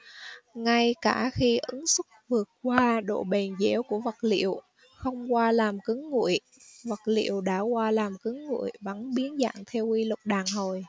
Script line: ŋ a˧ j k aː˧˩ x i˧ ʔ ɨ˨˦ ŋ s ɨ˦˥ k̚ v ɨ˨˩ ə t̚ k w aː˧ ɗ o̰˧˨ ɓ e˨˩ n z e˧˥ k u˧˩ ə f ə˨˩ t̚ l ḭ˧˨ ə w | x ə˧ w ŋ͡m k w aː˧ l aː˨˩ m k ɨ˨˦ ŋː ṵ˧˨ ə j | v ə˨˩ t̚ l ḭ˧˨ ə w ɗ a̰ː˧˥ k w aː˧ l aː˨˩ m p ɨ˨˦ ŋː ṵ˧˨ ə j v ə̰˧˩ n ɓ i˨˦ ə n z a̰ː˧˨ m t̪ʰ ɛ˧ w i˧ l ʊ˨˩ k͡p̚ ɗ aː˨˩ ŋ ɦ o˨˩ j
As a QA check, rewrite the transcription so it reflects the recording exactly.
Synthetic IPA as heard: ŋ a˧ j k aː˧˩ x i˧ ʔ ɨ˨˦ ŋ s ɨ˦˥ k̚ v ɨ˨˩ ə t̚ k w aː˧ ɗ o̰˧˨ ɓ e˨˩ n z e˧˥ k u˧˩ ə v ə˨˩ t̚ l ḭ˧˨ ə w | x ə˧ w ŋ͡m k w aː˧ l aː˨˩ m k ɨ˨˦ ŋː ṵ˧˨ ə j | v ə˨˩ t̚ l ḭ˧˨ ə w ɗ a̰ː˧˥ k w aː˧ l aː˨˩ m k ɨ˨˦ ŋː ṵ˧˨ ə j v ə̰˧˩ n ɓ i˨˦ ə n z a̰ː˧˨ ŋ t̪ʰ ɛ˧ w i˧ l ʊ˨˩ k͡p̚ ɗ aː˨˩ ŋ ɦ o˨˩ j